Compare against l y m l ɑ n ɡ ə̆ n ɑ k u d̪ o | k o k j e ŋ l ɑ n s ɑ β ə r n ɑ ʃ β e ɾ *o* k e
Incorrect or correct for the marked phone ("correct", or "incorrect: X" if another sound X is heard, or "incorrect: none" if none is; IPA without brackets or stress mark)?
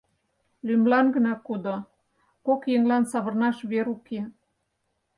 incorrect: u